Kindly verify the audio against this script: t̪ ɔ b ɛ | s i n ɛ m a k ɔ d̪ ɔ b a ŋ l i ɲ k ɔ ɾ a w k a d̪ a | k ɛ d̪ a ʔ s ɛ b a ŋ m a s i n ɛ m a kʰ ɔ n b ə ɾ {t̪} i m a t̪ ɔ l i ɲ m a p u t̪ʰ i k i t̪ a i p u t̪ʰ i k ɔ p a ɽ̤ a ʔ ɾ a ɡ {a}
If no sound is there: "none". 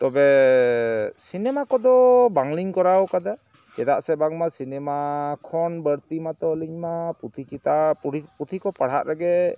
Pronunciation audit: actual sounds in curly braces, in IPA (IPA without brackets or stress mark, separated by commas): t̪, ɛ